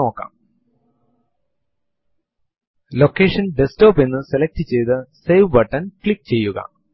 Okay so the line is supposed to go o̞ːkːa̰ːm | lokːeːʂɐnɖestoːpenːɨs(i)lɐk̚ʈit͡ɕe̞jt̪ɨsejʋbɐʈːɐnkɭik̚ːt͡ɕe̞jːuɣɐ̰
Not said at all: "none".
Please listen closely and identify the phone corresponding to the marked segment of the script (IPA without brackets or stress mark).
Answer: e